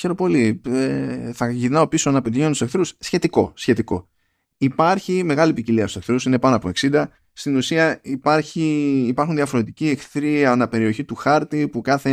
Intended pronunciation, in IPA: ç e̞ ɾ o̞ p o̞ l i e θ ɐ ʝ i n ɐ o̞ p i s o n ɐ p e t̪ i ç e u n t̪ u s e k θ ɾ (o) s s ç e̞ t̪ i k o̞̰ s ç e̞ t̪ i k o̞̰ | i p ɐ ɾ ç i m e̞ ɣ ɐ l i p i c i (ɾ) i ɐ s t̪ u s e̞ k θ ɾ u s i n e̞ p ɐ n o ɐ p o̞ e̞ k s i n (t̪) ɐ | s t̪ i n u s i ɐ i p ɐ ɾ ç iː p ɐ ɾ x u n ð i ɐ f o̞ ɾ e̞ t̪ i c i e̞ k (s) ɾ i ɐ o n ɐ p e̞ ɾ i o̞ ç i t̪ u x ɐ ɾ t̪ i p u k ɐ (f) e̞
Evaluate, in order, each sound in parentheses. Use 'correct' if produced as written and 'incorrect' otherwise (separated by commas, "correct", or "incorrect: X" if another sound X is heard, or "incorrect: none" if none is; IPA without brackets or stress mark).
incorrect: u, incorrect: l, incorrect: d̪, incorrect: θ, incorrect: θ